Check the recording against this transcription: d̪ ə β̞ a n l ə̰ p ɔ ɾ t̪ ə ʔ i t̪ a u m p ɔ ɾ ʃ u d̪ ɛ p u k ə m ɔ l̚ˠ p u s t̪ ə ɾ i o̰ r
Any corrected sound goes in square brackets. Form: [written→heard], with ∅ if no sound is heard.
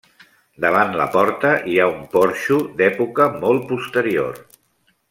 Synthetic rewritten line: d̪ ə β̞ a n l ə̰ p ɔ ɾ t̪ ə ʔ i [t̪→∅] a u m p ɔ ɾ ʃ u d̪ ɛ p u k ə m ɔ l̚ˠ p u s t̪ ə ɾ i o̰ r